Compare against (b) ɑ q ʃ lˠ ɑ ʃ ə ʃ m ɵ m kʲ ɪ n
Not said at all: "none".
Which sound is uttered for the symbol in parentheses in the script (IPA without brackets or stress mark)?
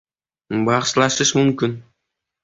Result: b